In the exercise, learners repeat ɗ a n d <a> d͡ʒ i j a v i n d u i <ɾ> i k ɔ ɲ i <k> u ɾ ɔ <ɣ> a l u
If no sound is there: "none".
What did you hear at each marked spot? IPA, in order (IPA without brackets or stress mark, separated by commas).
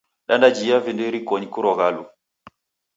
a, ɾ, k, ɣ